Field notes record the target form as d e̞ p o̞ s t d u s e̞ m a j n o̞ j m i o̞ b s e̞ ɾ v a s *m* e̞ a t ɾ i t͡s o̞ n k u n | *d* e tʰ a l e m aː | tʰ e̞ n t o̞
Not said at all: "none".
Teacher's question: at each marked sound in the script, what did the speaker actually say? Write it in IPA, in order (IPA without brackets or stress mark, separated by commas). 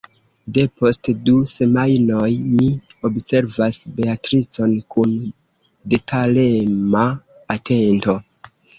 b, d